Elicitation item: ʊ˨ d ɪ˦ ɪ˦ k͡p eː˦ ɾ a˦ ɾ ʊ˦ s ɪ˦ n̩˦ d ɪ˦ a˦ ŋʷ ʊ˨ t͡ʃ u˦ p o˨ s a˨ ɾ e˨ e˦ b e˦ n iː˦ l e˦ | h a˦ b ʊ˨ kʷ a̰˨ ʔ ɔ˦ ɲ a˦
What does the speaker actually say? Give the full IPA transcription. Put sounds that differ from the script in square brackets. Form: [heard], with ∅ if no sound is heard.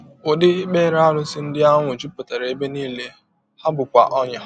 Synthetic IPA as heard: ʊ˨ d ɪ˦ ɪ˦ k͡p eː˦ ɾ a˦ ɾ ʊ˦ s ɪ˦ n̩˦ d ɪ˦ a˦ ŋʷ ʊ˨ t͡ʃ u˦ p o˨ [t] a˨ ɾ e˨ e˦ b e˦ n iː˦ l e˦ | h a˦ b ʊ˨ kʷ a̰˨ ʔ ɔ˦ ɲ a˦